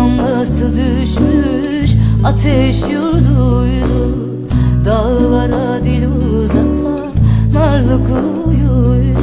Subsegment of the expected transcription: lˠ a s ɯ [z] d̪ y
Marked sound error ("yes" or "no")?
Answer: yes